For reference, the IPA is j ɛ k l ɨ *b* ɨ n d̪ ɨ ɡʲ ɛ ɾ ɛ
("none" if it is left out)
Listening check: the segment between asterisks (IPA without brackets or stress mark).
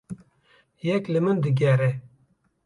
m